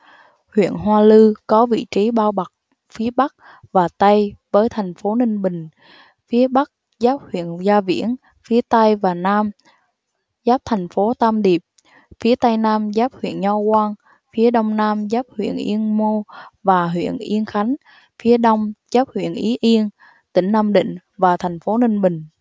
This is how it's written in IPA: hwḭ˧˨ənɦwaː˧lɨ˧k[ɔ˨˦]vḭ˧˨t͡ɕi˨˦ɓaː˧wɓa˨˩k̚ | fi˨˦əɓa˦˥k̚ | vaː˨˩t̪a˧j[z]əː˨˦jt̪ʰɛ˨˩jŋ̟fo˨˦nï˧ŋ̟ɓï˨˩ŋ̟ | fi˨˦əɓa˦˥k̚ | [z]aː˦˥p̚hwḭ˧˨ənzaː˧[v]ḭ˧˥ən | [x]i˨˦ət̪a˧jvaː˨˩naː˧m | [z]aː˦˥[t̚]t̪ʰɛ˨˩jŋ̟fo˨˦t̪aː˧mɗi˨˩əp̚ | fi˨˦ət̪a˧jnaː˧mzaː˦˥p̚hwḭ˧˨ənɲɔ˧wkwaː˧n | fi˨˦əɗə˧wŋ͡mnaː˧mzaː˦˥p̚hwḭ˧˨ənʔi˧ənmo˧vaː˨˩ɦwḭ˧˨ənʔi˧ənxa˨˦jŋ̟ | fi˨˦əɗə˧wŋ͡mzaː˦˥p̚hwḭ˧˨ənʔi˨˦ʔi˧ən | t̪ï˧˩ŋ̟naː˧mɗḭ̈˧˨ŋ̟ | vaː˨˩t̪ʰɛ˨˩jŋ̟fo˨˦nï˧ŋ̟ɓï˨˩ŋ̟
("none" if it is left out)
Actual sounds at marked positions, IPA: ɔ˨˦, v, z, v, f, z, p̚

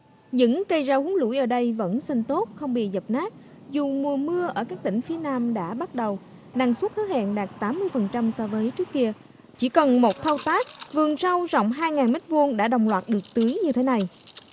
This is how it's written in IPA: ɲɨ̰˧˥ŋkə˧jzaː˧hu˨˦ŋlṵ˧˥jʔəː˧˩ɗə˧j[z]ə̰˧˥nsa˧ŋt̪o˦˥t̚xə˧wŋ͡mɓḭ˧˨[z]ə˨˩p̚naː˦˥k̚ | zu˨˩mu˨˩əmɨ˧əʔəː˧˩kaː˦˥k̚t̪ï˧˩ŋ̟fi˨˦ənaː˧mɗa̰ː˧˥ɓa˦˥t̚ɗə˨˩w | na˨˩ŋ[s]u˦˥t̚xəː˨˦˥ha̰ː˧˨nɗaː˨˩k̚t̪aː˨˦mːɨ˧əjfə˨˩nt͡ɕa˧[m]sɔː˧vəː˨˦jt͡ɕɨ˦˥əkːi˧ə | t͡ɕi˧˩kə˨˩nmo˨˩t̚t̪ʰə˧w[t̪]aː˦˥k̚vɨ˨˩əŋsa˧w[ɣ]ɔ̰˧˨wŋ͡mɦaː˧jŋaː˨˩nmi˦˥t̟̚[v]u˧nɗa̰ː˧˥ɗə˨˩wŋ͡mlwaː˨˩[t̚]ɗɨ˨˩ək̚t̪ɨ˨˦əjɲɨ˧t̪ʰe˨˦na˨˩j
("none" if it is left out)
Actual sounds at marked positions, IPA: v, z, s, m, t̪, z, v, t̚

